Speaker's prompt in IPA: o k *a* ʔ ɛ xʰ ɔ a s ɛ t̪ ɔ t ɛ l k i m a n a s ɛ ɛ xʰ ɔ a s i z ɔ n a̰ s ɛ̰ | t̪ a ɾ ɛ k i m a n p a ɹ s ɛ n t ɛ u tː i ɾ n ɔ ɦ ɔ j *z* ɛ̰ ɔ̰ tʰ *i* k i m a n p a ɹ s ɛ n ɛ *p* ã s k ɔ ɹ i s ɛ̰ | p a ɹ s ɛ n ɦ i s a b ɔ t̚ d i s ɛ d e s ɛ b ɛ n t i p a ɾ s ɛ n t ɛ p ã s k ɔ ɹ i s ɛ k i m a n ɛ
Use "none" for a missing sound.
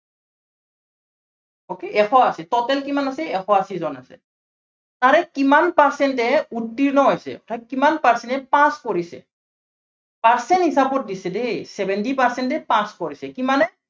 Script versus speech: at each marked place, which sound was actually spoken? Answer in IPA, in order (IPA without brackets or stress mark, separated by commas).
e, s, a, p